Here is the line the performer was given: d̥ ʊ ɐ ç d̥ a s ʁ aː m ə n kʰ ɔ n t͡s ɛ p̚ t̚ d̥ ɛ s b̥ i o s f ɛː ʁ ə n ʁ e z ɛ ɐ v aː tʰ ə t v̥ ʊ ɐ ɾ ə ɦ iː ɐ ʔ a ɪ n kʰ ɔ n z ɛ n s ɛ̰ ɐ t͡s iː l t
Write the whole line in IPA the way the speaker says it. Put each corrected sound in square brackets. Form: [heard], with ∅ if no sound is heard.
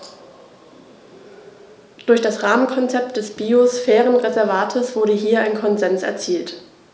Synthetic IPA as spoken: d̥ ʊ ɐ ç d̥ a s ʁ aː m ə n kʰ ɔ n t͡s ɛ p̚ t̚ d̥ ɛ s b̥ i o s f ɛː ʁ ə n ʁ e z ɛ ɐ v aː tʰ ə [s] v̥ ʊ ɐ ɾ ə ɦ iː ɐ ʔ a ɪ n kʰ ɔ n z ɛ n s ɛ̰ ɐ t͡s iː l t